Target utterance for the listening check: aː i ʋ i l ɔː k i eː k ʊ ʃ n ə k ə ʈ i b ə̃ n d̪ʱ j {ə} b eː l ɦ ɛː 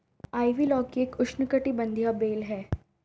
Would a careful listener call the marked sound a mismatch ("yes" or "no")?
yes